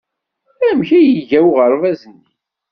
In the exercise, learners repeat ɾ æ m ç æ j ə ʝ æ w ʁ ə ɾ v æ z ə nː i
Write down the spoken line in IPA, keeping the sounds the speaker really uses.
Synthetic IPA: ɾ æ m ç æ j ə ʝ æ w ʁ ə ɾ v æ z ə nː i